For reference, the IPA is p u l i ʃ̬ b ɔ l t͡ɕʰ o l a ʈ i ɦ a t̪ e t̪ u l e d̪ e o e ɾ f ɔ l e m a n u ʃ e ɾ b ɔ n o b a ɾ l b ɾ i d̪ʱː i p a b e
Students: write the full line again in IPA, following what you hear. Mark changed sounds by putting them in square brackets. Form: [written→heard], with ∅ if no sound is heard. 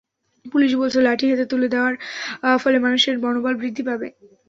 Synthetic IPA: p u l i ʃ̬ b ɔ l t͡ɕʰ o l a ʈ i ɦ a t̪ e t̪ u l e d̪ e o [e→a] ɾ f ɔ l e m a n u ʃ e ɾ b ɔ n o b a [ɾ→∅] l b ɾ i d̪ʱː i p a b e